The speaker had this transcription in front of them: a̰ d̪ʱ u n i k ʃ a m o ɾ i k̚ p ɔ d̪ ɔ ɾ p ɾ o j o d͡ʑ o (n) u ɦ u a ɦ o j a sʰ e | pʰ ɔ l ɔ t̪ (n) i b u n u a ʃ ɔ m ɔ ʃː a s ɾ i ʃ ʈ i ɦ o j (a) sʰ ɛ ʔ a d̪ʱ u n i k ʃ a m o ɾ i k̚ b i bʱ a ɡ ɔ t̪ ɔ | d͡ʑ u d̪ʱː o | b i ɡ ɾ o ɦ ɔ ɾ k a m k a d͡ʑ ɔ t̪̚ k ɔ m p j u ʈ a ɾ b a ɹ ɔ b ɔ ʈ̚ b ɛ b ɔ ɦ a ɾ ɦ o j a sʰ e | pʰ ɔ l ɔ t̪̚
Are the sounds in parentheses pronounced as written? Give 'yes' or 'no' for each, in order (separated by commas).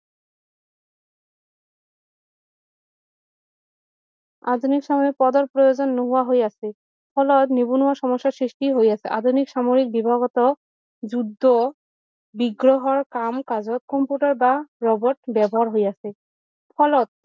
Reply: no, yes, yes